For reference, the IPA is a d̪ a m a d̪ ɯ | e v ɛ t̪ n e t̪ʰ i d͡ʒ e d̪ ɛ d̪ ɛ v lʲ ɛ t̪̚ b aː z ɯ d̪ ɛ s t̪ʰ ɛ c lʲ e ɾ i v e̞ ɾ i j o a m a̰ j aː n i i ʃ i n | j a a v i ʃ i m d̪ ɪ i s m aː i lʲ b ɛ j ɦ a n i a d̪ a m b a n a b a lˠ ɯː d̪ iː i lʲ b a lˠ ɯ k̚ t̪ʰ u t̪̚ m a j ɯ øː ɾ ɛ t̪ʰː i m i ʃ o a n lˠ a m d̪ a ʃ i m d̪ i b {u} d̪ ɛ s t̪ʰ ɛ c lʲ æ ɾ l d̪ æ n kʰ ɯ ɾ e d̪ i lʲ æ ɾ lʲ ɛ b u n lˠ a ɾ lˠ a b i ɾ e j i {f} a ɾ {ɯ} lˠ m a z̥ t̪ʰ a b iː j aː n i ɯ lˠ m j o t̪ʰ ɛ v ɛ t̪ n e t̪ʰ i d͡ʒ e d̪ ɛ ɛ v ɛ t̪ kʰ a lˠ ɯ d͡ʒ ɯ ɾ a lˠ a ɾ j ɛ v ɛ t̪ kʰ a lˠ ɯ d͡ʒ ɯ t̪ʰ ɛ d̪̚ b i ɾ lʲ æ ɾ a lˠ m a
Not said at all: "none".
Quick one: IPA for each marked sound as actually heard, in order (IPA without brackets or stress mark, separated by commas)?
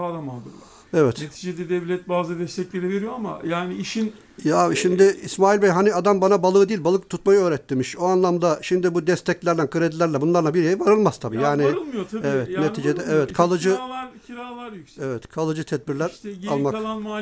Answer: u, v, ɯ